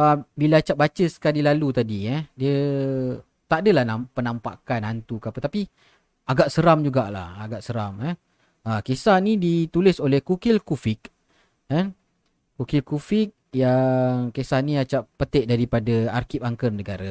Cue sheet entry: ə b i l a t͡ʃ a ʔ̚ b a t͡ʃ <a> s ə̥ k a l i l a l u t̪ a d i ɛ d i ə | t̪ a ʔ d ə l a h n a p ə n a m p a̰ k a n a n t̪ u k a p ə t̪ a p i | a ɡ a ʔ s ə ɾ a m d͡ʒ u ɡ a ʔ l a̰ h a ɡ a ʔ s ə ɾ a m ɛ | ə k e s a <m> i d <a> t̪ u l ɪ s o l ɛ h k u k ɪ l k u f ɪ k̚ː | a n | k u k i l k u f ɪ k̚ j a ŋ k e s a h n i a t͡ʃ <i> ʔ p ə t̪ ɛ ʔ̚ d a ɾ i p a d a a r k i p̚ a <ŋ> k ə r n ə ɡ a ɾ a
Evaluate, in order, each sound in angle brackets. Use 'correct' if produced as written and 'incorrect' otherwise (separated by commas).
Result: incorrect, incorrect, incorrect, incorrect, correct